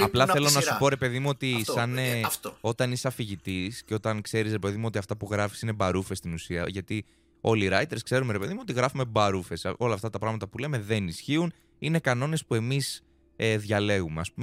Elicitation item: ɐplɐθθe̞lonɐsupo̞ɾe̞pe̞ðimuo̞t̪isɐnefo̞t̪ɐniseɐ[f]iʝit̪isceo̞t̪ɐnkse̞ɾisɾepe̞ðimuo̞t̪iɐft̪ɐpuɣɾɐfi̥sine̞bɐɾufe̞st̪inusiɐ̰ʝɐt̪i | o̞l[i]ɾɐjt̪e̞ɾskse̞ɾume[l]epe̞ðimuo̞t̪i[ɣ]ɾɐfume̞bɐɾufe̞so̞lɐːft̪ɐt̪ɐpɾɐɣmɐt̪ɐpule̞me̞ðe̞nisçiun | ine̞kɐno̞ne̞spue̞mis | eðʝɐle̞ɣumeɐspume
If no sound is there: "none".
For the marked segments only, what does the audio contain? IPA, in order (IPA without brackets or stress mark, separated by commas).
f, i, ɾ, ɣ